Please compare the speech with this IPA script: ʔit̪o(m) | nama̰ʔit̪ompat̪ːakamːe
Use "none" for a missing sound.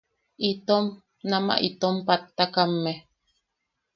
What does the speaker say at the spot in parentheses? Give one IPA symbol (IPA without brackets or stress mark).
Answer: m